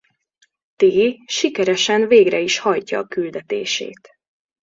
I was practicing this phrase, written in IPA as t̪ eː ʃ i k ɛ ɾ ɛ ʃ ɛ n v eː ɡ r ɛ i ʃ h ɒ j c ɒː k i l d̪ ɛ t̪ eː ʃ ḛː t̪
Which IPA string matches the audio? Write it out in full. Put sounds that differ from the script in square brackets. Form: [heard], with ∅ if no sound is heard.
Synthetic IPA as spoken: t̪ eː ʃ i k ɛ ɾ ɛ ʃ ɛ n v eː ɡ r ɛ i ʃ h ɒ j c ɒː k [y] l d̪ ɛ t̪ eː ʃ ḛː t̪